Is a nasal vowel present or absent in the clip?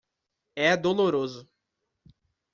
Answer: absent